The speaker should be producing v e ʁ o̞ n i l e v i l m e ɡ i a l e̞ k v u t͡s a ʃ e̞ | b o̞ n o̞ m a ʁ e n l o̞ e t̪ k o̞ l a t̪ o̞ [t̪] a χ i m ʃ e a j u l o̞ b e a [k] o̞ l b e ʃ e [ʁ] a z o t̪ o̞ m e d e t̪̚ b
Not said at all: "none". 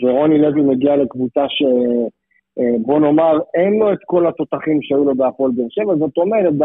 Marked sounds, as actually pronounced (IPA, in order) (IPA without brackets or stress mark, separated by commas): t̪, p, v